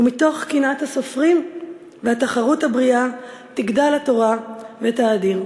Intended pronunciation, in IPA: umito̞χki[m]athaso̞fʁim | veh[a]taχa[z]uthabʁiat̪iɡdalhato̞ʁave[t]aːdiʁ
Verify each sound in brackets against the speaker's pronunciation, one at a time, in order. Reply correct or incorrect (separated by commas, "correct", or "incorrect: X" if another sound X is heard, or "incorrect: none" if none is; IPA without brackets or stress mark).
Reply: incorrect: n, correct, incorrect: ʁ, correct